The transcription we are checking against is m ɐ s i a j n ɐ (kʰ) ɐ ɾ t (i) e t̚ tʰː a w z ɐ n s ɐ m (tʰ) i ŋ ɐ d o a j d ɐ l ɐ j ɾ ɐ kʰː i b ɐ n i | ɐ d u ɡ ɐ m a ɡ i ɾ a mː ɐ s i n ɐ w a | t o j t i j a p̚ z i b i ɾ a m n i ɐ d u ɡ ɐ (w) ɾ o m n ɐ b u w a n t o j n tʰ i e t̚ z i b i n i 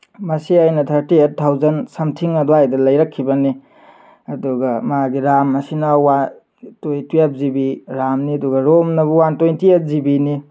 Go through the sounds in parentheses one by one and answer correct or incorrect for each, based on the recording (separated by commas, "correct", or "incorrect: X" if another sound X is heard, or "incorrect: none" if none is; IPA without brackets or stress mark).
incorrect: tʰ, correct, correct, incorrect: none